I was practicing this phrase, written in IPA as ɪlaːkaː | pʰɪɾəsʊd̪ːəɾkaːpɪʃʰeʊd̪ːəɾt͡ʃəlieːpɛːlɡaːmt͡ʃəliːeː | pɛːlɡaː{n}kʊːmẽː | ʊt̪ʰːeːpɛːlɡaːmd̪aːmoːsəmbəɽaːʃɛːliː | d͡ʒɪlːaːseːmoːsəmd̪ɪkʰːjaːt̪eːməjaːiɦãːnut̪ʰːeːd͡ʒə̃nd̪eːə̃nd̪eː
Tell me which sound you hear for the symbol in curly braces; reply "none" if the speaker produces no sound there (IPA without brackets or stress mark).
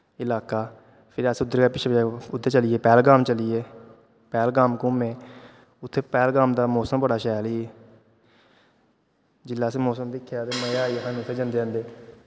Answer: m